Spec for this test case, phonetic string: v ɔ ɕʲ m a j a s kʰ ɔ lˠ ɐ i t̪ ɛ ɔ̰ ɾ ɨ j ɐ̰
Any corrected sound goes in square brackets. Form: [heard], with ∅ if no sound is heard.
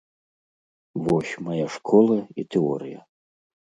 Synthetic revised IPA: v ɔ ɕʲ m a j a [ʂ] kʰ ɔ lˠ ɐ i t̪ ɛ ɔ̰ ɾ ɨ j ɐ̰